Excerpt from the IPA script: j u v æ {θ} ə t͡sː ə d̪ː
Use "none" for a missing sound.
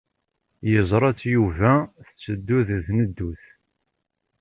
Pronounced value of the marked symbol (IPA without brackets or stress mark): θ